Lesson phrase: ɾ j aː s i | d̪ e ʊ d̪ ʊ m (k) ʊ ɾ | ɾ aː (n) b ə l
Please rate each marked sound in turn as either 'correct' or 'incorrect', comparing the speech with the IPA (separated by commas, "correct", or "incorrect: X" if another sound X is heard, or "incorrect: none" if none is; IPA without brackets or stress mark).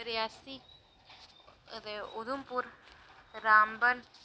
incorrect: p, incorrect: m